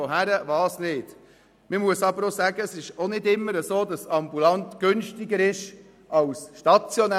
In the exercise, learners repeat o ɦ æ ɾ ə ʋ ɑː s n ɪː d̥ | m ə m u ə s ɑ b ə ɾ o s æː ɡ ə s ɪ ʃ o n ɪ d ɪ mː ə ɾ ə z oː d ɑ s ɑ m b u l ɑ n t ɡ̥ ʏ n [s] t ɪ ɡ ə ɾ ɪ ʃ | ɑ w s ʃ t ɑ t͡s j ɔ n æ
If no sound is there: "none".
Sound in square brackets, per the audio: ʃ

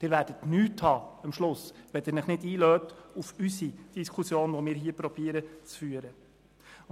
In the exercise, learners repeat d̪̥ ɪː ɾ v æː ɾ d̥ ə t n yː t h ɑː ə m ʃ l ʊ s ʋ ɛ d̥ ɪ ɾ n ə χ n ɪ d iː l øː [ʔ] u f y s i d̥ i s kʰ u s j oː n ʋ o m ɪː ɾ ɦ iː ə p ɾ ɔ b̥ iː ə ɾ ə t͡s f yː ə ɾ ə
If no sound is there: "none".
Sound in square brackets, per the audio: t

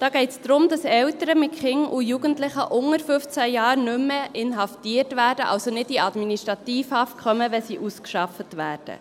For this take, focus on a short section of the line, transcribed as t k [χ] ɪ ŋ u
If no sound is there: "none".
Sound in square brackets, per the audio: χ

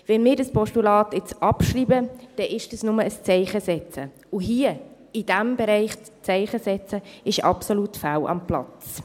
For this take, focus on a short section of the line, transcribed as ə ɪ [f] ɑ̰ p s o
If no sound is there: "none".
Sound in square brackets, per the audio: ʃ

